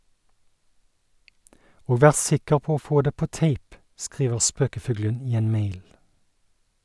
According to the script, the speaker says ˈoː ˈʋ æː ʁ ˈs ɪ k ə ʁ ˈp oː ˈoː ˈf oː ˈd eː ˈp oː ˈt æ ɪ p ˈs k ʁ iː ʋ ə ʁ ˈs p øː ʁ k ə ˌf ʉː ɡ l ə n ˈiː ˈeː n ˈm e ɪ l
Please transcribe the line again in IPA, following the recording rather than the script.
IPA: ˈoː ˈʋ æː ʁ ˈs ɪ k ə ʁ ˈp oː ˈoː ˈf oː ˈd eː ˈp oː ˈt e ɪ p ˈs k ʁ iː ʋ ə ʁ ˈs p øː k ə ˌf ʉː ɡ l ə n ˈiː ˈeː n ˈm e ɪ l